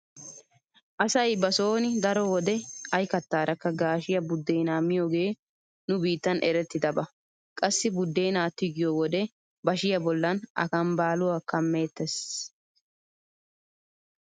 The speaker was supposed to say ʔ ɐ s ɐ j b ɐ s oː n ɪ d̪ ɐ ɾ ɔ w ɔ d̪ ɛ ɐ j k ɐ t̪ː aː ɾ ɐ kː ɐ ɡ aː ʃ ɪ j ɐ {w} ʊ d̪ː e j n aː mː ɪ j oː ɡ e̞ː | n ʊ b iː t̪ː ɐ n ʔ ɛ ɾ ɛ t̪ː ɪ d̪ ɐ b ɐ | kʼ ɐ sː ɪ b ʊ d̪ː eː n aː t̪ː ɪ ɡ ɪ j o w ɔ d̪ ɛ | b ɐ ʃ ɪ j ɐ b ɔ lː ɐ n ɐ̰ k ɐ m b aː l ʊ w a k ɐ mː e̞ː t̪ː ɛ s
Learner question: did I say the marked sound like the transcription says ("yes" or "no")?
no